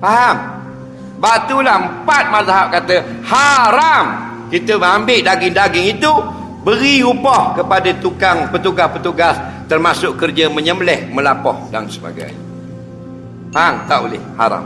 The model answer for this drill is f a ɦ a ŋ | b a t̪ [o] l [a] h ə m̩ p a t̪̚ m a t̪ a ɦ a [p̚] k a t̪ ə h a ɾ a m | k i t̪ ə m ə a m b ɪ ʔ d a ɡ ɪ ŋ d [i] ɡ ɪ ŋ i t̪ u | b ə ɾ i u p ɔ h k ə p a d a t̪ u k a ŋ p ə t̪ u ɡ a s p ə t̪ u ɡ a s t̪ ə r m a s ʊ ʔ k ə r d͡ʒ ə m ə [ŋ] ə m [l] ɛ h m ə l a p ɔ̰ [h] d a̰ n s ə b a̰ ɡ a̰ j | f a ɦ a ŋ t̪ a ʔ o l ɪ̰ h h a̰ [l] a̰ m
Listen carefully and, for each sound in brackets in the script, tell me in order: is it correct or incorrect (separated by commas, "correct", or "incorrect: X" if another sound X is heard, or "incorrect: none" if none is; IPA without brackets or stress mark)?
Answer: incorrect: u, correct, correct, incorrect: a, incorrect: ɲ, correct, correct, incorrect: ɾ